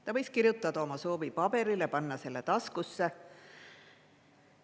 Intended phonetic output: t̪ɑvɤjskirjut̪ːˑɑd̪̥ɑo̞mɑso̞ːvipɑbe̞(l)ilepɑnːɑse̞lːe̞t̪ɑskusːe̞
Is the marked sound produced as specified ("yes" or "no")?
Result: no